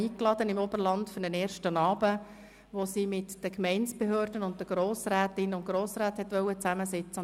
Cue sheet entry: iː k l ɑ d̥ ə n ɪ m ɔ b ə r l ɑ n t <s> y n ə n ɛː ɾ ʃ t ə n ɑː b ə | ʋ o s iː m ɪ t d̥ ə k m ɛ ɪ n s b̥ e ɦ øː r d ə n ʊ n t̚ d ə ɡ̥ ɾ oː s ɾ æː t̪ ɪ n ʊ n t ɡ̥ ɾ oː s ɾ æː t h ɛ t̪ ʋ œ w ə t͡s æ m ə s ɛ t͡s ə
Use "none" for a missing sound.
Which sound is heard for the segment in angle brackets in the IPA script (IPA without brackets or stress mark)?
f